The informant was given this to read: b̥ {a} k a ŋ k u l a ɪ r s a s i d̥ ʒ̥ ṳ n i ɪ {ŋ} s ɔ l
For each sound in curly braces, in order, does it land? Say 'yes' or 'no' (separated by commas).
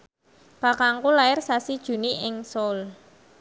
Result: yes, yes